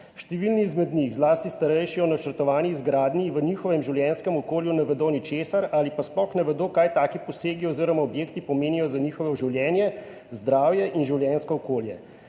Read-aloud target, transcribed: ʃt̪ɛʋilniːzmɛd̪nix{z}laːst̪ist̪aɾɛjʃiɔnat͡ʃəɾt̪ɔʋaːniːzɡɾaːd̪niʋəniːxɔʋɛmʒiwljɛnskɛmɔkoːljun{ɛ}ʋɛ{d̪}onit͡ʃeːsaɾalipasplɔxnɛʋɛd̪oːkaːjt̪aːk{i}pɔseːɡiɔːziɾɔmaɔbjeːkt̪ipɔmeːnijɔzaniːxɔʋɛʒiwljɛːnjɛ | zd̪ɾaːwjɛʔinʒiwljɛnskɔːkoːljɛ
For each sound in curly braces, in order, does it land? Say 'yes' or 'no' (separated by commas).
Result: yes, yes, yes, yes